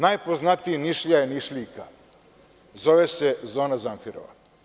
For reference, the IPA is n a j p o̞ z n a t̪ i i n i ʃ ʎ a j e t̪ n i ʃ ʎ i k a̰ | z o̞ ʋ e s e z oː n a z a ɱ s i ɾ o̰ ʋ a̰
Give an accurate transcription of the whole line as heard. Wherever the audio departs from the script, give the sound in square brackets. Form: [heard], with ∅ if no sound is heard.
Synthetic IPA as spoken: n a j p o̞ z n a t̪ i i n i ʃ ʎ a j e [∅] n i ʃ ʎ i k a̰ | z o̞ ʋ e s e z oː n a z a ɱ [f] i ɾ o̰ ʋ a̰